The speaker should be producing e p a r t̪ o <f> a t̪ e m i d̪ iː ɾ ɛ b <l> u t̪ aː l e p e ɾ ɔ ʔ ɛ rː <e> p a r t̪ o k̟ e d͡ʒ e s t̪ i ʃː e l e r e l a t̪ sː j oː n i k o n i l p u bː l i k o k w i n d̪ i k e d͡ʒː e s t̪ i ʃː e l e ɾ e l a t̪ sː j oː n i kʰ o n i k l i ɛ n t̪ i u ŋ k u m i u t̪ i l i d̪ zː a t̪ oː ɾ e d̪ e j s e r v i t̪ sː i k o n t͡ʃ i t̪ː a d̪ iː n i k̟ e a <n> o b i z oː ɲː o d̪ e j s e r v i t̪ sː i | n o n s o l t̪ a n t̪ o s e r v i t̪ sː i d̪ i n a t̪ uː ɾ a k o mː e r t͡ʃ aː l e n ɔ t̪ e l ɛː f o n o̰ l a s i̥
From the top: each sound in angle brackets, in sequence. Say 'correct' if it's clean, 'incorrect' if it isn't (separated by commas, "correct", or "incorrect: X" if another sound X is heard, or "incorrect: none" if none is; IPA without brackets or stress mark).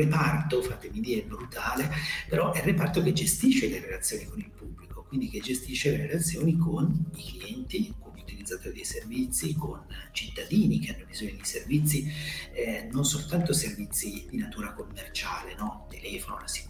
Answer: correct, incorrect: ɾ, correct, incorrect: nː